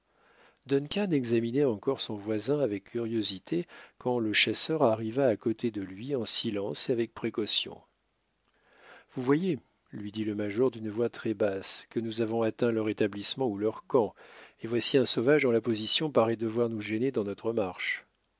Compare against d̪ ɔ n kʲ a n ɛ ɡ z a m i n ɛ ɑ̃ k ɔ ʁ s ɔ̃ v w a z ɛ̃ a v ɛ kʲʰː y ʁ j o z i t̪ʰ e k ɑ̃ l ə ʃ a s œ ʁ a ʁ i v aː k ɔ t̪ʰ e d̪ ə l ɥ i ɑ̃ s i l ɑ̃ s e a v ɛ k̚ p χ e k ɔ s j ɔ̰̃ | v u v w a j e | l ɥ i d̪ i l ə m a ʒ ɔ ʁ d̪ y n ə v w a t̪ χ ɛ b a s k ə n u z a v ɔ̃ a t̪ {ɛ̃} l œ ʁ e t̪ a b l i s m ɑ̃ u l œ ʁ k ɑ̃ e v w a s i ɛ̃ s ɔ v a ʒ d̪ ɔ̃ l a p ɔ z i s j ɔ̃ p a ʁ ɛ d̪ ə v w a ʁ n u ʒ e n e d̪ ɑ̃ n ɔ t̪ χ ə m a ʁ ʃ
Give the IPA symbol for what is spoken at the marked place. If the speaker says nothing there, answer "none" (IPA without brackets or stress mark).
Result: ɛ̃